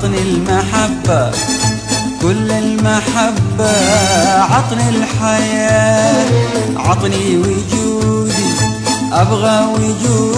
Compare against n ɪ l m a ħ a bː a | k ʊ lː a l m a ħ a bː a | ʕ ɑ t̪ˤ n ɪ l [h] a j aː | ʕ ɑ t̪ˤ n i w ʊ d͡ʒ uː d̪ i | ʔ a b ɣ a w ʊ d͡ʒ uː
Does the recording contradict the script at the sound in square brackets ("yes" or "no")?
yes